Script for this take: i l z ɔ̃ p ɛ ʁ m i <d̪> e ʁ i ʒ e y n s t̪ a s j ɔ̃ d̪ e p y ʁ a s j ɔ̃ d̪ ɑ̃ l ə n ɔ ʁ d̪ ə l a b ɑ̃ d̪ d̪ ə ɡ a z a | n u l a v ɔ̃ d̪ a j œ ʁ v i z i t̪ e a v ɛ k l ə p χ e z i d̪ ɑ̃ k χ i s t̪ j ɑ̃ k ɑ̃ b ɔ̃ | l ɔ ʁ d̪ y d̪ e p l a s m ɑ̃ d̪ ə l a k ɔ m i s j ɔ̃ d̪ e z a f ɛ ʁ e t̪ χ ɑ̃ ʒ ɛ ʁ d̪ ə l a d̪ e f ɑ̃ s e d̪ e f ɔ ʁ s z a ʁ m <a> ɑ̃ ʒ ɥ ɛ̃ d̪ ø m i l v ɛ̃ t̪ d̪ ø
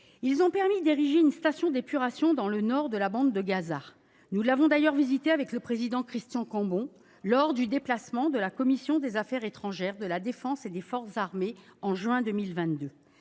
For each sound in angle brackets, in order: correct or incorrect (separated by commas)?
correct, incorrect